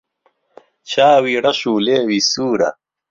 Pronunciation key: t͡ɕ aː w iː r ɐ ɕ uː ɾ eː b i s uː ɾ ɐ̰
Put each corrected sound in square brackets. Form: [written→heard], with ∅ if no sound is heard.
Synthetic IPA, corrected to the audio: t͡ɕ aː w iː [r→ɽ] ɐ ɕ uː [ɾ→l] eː [b→w] i s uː ɾ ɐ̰